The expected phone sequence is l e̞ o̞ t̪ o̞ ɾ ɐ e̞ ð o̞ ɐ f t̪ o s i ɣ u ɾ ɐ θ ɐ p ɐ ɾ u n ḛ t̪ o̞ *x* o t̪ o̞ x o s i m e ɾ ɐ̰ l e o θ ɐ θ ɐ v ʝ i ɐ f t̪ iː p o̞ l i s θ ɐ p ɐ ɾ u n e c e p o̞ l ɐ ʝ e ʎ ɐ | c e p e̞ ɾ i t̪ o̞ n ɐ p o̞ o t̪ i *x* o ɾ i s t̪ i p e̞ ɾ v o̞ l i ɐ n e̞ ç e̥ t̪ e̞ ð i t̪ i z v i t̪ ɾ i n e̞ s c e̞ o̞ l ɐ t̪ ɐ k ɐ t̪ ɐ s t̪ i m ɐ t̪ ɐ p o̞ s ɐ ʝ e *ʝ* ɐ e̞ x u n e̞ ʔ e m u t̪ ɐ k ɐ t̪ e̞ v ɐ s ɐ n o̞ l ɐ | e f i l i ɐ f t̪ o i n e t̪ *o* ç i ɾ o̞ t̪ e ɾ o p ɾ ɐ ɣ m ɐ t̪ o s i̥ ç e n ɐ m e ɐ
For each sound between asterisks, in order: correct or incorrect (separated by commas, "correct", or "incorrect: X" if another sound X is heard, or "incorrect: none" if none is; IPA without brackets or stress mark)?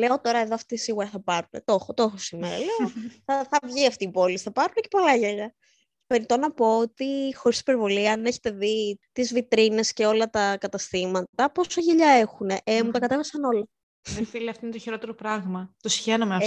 correct, correct, incorrect: ʎ, correct